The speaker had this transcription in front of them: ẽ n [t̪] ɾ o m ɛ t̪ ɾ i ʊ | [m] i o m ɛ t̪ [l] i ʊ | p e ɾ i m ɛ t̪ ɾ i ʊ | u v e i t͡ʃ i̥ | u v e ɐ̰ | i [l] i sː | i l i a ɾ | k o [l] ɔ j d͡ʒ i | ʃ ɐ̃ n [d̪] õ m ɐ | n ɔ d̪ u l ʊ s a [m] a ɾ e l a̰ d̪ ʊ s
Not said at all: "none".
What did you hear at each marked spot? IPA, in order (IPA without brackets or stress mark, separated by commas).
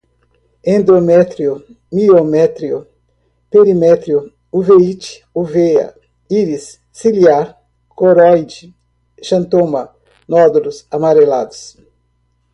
d̪, m, ɾ, ɾ, ɾ, t̪, m